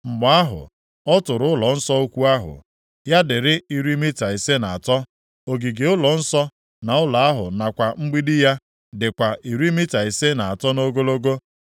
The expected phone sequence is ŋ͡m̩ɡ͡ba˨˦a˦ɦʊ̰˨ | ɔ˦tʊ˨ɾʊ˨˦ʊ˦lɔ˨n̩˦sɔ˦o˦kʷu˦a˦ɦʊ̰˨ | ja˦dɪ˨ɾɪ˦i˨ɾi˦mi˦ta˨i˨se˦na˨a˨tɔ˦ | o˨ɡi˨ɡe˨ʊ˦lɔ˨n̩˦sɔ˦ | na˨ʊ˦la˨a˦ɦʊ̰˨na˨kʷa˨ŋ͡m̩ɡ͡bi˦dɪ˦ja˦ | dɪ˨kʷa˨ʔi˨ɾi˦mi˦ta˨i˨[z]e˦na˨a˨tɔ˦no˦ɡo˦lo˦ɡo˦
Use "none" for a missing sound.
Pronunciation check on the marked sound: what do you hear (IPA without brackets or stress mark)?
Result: s